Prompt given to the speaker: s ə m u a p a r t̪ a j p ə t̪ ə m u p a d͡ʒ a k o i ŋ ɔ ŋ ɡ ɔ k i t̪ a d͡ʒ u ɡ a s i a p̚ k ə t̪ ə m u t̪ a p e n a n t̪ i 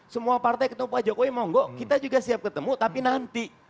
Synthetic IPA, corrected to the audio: s ə m u a p a r t̪ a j k ə t̪ ə m u p a d͡ʒ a k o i m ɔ ŋ ɡ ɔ k i t̪ a d͡ʒ u ɡ a s i a p̚ k ə t̪ ə m u t̪ a p i n a n t̪ i